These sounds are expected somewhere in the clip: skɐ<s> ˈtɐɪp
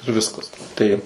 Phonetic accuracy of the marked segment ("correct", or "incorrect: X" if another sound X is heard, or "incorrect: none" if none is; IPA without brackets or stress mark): correct